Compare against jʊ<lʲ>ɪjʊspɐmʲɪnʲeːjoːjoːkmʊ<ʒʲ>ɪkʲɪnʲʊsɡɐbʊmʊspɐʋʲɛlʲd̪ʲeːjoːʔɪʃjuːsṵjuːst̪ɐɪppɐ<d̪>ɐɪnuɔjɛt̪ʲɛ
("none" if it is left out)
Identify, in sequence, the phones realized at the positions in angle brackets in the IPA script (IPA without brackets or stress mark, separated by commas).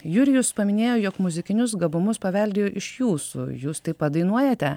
ɾʲ, zʲ, d̪